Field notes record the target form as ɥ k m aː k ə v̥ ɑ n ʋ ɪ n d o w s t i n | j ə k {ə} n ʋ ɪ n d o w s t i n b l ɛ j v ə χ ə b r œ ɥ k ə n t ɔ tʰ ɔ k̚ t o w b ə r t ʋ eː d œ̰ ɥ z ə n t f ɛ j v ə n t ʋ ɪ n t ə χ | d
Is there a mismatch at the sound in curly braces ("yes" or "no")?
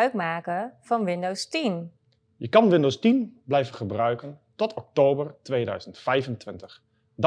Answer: yes